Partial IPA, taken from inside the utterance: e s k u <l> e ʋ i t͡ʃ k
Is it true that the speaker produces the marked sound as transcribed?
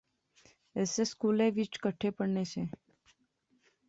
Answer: yes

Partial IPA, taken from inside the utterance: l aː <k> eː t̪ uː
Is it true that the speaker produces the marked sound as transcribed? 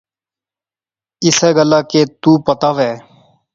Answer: yes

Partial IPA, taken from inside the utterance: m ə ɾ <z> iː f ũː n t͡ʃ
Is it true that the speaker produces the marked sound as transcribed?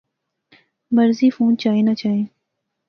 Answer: yes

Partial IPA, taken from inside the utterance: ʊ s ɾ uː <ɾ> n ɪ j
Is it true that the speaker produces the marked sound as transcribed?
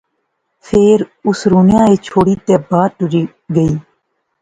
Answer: no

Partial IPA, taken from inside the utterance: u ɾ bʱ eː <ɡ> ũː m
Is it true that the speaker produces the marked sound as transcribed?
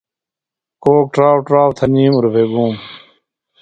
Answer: yes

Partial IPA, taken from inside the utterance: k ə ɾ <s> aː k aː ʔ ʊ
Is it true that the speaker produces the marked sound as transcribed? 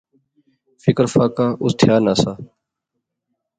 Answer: no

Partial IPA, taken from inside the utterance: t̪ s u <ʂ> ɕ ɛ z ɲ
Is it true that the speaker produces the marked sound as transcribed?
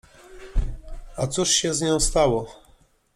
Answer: yes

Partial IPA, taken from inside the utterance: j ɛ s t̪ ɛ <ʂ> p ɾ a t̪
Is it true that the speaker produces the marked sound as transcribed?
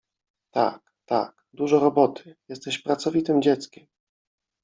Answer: no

